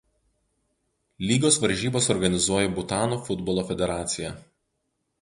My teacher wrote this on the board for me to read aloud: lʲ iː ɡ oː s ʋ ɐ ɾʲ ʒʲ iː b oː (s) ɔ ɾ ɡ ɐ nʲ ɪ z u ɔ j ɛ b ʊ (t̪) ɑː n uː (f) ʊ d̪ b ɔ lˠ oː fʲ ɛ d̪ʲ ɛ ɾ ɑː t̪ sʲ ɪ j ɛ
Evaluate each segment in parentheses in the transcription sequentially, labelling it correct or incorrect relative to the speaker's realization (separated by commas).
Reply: correct, correct, correct